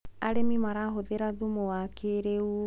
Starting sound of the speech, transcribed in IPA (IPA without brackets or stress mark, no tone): a